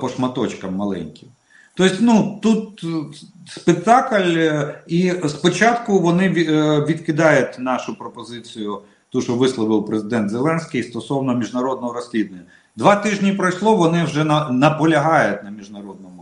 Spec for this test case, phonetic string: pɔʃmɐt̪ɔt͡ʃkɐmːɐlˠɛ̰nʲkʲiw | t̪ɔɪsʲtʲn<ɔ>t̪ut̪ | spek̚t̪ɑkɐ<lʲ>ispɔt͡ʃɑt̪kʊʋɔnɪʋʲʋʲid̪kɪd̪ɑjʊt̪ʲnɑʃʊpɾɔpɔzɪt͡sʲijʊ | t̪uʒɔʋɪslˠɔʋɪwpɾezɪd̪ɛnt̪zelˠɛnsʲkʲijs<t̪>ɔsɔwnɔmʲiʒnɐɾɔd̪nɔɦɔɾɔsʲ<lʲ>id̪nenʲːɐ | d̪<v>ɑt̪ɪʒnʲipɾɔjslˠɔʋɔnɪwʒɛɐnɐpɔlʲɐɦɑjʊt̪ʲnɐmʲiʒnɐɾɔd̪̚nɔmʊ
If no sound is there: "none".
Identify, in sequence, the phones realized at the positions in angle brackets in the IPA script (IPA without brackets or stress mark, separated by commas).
u, lʲ, t̪, lʲ, ʋ